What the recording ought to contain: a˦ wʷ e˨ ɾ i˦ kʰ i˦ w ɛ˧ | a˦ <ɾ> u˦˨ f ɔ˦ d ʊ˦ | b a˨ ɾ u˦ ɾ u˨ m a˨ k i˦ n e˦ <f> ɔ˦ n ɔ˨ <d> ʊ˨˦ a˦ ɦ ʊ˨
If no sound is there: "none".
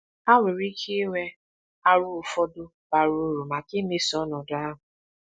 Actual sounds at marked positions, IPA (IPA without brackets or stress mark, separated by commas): ɾ, s, d